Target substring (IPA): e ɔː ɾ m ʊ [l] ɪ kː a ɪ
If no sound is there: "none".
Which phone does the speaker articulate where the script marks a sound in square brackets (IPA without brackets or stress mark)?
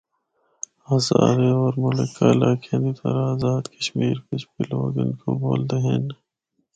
l